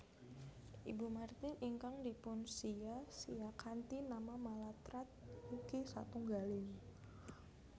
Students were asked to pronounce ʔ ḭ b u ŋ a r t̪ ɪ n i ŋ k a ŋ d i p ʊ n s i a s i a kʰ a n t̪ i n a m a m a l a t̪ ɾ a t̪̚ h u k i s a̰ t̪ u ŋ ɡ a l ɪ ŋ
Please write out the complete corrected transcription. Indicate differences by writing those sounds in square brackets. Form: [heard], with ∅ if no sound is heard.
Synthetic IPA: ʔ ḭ b u [m] a r t̪ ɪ n i ŋ k a ŋ d i p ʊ n s i a s i a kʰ a n t̪ i n a m a m a l a t̪ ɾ a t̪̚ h u k i s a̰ t̪ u ŋ ɡ a l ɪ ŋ